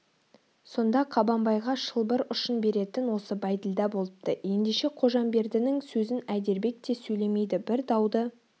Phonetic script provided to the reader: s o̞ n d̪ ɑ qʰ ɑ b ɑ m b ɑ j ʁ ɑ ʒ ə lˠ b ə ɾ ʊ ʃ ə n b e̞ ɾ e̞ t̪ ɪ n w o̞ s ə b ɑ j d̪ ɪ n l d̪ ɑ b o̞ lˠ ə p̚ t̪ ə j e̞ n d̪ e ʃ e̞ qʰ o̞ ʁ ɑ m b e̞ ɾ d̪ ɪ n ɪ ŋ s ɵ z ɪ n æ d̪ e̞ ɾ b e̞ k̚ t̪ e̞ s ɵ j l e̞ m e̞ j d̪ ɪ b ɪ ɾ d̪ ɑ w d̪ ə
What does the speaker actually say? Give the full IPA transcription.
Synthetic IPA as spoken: s o̞ n d̪ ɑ qʰ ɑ b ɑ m b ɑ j ʁ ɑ ʃ ə lˠ b ə ɾ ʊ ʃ ə n b e̞ ɾ e̞ t̪ ɪ n w o̞ s ə b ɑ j d̪ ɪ l d̪ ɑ b o̞ lˠ ə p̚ t̪ ə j e̞ n d̪ e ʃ e̞ qʰ o̞ ʒ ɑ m b e̞ ɾ d̪ ɪ n ɪ ŋ s ɵ z ɪ n æ d̪ e̞ ɾ b e̞ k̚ t̪ e̞ s ɵ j l e̞ m e̞ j d̪ ɪ b ɪ ɾ d̪ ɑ w d̪ ə